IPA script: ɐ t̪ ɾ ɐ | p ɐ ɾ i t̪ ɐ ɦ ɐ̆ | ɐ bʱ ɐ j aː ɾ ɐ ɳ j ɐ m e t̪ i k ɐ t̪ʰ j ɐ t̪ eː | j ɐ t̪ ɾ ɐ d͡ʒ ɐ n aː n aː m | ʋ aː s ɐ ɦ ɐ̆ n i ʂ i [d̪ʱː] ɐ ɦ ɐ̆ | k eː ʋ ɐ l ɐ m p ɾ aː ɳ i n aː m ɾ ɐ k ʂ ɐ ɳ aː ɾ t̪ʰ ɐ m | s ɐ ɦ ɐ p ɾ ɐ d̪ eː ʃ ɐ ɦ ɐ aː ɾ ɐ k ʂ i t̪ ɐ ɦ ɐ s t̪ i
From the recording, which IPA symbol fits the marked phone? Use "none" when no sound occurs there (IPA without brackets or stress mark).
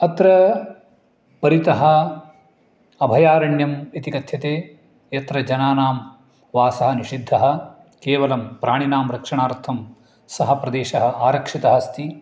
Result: d̪ʱː